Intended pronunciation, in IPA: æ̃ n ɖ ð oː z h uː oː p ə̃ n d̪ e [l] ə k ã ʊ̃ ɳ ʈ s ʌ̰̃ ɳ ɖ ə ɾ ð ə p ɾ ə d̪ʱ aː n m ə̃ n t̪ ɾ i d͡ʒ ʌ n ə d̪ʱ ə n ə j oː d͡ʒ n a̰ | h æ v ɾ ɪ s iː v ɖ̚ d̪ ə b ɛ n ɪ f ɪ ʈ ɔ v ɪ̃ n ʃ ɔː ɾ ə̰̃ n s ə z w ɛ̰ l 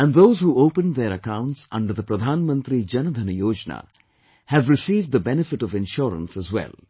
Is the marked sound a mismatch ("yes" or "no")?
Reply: yes